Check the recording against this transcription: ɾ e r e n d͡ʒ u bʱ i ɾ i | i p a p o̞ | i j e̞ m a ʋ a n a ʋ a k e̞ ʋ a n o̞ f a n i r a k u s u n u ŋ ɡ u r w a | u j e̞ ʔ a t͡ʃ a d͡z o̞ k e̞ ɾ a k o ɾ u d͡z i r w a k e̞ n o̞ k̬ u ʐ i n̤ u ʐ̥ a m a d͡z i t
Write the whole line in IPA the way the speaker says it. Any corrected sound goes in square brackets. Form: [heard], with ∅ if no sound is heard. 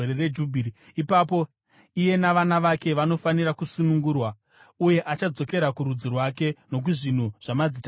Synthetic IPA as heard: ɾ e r e [∅] d͡ʒ u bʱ i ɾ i | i p a p o̞ | i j e̞ [n] a ʋ a n a ʋ a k e̞ ʋ a n o̞ f a n i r a k u s u n u ŋ ɡ u r w a | u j e̞ ʔ a t͡ʃ a d͡z o̞ k e̞ ɾ a k [u] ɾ u d͡z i r w a k e̞ n o̞ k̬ u ʐ i n̤ u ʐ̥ a m a d͡z i t